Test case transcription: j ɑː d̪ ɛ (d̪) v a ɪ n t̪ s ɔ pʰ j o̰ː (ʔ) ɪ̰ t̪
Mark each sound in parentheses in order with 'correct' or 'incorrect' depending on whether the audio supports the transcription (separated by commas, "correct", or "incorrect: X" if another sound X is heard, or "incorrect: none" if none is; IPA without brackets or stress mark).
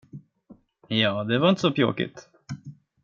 incorrect: none, incorrect: k